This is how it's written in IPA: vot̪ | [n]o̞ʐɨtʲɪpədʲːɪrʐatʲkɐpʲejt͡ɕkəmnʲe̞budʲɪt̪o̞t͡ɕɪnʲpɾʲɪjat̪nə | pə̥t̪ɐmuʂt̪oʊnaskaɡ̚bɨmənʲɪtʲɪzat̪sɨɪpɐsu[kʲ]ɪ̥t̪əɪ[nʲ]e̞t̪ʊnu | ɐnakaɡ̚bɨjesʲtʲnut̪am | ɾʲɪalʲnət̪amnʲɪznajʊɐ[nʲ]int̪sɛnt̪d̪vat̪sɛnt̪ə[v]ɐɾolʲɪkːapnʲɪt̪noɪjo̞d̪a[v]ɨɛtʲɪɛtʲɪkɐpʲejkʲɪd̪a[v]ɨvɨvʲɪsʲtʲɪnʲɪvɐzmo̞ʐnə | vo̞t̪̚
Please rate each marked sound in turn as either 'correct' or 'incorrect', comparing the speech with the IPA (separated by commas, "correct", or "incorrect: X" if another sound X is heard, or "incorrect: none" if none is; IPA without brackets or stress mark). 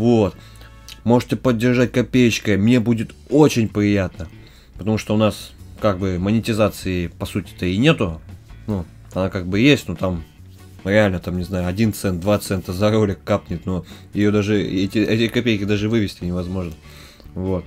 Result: incorrect: m, incorrect: tʲ, correct, incorrect: dʲ, incorrect: z, incorrect: ʐ, incorrect: ʐ